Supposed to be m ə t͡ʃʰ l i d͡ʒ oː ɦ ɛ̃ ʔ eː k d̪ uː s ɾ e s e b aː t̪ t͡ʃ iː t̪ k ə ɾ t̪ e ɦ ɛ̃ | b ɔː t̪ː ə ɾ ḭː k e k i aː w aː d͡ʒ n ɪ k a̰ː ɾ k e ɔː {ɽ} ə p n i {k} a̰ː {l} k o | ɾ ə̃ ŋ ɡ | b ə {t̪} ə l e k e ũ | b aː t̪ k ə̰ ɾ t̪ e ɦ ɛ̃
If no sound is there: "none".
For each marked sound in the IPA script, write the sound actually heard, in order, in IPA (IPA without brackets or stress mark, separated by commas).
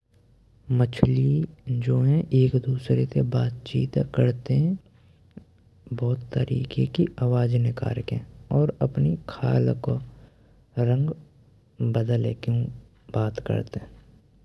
ɾ, kʰ, l, d̪